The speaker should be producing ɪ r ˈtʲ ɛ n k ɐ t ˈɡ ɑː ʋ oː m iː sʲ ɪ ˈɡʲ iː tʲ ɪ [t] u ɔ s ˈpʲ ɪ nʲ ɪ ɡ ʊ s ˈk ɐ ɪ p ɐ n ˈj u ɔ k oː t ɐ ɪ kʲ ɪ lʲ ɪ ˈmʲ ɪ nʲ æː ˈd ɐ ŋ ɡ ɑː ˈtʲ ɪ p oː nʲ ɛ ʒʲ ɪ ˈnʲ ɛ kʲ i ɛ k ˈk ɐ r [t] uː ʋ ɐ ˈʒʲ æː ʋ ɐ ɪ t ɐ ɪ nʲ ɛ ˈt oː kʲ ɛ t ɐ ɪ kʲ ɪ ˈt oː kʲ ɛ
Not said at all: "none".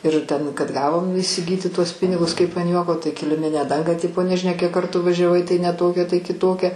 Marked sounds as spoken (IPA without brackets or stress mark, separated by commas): t, t